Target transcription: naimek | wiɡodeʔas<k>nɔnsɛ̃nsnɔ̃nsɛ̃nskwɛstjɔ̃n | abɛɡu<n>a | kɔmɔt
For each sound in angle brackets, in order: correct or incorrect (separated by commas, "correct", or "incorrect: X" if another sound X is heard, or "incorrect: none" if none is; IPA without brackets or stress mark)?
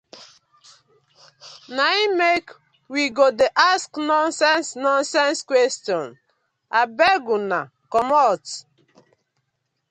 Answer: correct, correct